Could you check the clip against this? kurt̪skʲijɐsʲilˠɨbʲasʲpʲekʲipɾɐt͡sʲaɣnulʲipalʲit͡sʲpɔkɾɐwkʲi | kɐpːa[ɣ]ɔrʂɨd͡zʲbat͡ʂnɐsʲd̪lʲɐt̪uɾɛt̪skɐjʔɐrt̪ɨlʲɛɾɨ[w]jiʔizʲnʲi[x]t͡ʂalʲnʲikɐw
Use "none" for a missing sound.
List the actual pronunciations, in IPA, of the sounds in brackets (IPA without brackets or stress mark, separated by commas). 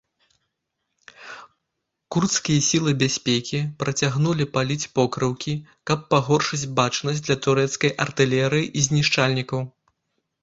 ɣ, none, ʂ